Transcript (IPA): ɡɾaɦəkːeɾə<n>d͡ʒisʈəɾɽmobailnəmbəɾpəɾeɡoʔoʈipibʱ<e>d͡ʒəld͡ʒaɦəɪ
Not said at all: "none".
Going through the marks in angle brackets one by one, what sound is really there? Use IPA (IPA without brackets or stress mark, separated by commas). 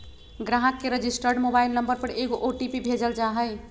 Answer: none, e